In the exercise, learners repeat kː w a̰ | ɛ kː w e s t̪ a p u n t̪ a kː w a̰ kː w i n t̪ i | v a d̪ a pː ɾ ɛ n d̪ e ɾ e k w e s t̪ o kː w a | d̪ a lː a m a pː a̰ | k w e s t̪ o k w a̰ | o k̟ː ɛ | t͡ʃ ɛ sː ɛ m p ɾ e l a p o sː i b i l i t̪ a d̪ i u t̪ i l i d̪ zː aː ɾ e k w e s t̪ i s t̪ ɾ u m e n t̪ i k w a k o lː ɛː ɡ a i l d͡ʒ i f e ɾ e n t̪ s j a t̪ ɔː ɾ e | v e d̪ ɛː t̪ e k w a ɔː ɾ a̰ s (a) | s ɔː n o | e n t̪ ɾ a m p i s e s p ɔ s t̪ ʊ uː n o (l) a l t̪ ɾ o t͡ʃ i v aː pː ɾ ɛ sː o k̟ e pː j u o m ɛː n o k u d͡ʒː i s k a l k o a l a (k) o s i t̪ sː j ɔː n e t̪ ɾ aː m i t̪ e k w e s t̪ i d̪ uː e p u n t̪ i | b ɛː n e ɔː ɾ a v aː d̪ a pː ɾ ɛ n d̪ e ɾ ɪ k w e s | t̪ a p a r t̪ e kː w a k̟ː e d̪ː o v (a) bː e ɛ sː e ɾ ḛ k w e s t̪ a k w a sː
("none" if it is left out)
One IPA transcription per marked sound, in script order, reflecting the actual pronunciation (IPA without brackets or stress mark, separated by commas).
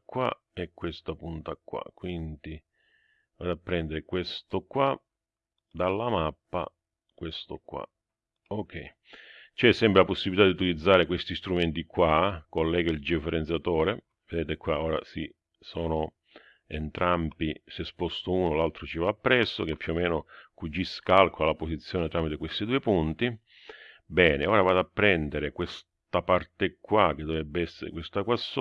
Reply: i, l, p, ɛ